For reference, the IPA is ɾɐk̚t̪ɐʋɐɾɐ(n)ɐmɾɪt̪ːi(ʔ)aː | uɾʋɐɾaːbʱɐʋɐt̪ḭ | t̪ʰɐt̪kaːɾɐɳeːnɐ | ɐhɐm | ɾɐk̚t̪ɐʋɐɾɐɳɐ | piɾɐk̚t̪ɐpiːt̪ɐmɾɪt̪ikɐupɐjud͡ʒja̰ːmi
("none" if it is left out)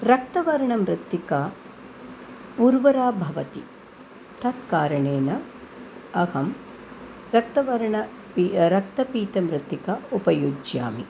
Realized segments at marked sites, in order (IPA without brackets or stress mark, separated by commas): ɳ, k